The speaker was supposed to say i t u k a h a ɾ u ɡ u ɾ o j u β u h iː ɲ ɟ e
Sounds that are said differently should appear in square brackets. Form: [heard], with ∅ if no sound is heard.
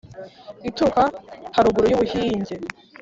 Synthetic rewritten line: i t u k a h a ɾ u ɡ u ɾ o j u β u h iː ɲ ɟ e